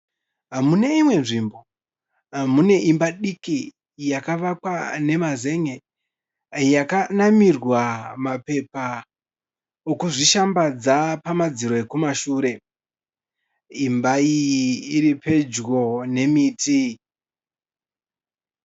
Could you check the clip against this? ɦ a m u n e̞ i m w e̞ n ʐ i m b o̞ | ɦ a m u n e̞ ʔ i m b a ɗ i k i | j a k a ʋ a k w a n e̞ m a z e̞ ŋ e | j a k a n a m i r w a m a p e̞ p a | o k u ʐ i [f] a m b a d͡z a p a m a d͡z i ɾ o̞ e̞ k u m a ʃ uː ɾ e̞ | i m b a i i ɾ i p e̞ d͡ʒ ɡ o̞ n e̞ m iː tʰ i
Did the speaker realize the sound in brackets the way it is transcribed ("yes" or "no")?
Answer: no